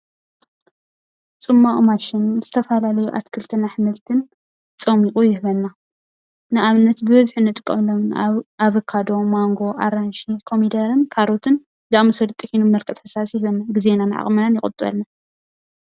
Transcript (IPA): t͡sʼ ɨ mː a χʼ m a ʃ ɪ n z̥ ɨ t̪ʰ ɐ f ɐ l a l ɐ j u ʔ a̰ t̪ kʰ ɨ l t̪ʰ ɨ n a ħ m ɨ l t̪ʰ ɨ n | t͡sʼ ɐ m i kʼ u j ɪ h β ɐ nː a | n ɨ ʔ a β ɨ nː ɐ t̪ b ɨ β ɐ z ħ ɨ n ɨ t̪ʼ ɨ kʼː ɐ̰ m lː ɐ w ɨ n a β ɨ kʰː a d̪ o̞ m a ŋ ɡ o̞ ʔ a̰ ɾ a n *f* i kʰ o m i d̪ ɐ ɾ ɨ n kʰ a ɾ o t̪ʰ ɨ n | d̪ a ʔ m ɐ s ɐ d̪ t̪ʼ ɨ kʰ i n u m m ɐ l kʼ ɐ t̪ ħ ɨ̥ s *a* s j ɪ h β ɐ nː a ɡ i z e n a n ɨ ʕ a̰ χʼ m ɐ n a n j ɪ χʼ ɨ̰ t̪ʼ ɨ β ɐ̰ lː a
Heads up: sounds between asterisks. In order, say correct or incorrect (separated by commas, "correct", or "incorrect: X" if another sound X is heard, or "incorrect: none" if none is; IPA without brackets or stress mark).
incorrect: ʃ, correct